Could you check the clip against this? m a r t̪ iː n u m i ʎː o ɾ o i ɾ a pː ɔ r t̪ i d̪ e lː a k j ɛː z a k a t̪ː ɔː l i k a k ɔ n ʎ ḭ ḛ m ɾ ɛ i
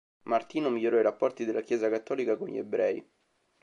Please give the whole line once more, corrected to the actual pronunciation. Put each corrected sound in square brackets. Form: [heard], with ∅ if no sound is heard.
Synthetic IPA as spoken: m a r t̪ iː n [o] m i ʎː o ɾ [ɔ] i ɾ a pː ɔ r t̪ i d̪ e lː a k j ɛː z a k a t̪ː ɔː l i k a k [o] n ʎ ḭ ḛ [b] ɾ ɛ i